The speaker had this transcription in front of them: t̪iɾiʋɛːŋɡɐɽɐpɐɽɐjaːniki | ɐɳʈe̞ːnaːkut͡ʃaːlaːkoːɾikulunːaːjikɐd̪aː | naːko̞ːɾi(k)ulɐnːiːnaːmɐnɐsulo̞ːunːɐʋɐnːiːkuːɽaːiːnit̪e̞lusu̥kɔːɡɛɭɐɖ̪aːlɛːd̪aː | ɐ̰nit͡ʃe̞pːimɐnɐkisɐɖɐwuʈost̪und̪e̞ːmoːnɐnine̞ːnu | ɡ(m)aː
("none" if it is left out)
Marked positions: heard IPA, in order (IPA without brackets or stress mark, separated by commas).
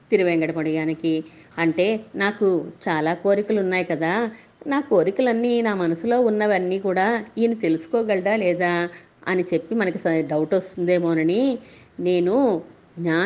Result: k, ɲ